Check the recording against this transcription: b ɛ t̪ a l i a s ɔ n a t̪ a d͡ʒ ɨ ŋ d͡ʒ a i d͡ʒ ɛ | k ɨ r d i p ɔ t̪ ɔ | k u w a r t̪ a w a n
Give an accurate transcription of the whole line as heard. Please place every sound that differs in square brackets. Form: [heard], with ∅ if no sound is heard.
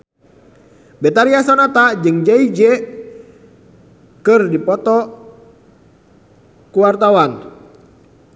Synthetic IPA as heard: b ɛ t̪ a [ɾ] i a s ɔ n a t̪ a d͡ʒ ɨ ŋ d͡ʒ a i d͡ʒ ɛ | k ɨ r d i p ɔ t̪ ɔ | k u w a r t̪ a w a n